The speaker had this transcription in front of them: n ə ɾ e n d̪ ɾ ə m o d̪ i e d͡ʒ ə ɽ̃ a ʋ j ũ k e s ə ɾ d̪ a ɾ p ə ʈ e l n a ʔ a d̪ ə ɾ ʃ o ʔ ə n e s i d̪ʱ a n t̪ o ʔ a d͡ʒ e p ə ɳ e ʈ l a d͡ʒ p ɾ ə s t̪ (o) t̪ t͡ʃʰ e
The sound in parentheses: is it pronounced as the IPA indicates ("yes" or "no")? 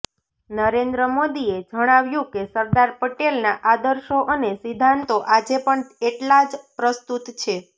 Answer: no